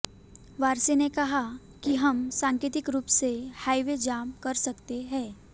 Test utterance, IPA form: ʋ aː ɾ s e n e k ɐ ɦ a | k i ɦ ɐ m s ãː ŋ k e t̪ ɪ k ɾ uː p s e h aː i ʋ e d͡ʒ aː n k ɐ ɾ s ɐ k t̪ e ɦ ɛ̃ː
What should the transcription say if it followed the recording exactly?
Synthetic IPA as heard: ʋ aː ɾ s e n e k ɐ ɦ a | k i ɦ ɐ m s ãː ŋ k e t̪ ɪ k ɾ uː p s e h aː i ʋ e d͡ʒ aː m k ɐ ɾ s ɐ k t̪ e ɦ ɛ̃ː